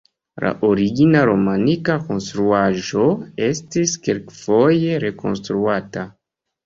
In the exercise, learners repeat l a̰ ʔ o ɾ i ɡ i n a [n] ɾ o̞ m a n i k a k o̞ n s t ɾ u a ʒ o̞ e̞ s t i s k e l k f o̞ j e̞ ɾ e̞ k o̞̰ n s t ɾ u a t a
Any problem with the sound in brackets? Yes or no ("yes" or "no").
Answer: yes